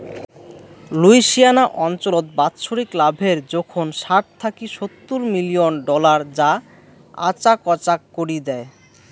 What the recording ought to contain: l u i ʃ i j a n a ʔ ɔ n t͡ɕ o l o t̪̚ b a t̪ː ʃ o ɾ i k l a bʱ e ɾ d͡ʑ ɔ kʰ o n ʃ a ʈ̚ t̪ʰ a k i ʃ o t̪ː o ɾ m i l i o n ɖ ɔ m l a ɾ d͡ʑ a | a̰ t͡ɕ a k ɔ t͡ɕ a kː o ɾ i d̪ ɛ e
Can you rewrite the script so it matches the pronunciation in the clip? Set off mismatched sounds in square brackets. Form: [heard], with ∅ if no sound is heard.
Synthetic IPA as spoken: l u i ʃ i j a n a ʔ ɔ n t͡ɕ o l o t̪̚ b a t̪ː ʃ o ɾ i k l a bʱ e ɾ d͡ʑ ɔ kʰ o n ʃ a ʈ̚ t̪ʰ a k i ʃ o t̪ː [u] ɾ m i l i o n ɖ ɔ [∅] l a ɾ d͡ʑ a | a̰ t͡ɕ a k ɔ t͡ɕ a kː o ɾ i d̪ ɛ e